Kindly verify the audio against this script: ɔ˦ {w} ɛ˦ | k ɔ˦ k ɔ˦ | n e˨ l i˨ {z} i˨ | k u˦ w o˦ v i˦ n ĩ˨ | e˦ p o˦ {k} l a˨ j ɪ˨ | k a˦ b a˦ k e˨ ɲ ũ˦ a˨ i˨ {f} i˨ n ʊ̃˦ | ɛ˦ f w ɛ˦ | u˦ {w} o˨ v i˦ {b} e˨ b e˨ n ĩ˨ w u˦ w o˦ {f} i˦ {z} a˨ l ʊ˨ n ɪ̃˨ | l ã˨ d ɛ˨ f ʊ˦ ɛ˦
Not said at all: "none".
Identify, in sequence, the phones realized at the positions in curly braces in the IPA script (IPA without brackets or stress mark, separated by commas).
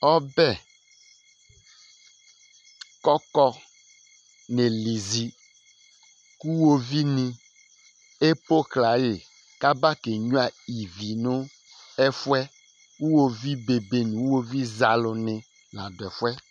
b, z, k, v, w, b, v, z